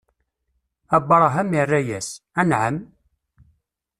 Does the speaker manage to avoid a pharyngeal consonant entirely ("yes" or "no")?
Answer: no